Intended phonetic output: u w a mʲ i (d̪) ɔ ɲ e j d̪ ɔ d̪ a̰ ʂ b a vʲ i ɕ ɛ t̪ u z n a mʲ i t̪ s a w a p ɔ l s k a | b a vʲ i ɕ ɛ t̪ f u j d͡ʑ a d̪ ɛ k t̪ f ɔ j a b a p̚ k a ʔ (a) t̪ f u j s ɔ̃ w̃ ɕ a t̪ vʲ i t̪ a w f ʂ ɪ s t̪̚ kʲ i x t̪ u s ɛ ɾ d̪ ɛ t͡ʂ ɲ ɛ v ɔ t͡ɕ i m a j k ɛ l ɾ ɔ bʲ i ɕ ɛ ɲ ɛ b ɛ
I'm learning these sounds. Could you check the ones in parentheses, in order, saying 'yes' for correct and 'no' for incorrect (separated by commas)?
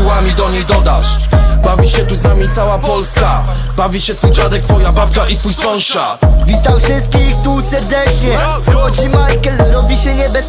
yes, no